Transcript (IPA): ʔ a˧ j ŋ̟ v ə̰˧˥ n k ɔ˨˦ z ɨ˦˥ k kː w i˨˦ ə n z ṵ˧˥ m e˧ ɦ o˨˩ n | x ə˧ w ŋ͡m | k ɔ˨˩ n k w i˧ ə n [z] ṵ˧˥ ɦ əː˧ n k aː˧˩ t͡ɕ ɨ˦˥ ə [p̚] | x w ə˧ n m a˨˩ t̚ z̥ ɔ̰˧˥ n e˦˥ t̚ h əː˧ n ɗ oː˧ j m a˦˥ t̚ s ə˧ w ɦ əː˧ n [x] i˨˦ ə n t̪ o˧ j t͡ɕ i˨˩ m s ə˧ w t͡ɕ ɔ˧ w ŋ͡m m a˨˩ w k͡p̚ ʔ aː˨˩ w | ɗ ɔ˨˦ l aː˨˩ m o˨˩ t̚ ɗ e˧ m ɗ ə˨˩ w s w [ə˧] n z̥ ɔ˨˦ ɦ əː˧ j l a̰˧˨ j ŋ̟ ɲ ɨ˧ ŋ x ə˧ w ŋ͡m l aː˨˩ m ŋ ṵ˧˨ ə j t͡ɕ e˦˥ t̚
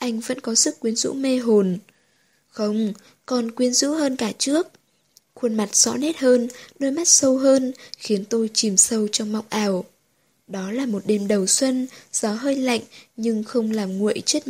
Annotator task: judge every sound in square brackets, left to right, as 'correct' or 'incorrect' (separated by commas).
correct, incorrect, correct, correct